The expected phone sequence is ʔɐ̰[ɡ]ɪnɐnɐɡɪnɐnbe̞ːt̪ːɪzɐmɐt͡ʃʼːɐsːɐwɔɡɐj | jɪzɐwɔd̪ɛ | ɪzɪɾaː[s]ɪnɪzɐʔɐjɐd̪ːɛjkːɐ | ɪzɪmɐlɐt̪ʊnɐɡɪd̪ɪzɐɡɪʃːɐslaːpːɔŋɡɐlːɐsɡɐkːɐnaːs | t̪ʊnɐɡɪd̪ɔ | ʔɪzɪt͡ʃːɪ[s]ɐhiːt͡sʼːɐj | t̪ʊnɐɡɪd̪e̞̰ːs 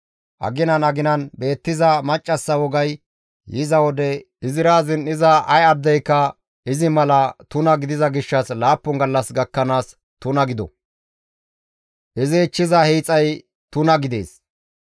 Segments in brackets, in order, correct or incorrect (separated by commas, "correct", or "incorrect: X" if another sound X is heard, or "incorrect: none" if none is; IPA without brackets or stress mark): correct, incorrect: z, incorrect: z